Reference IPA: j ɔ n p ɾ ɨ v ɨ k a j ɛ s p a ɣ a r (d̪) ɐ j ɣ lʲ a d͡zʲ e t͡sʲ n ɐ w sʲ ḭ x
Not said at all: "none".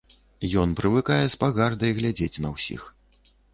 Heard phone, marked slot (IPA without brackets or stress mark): d̪